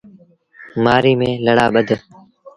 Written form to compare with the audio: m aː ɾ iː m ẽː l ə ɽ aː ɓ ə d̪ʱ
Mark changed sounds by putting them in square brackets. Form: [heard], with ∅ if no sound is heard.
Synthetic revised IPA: m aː ɾ iː m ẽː l ə ɽ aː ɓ ə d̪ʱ